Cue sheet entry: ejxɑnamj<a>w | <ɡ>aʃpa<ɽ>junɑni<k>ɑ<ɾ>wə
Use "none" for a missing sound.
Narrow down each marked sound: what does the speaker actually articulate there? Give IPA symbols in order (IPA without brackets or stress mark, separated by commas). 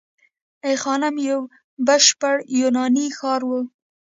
a, b, ɽ, x, ɾ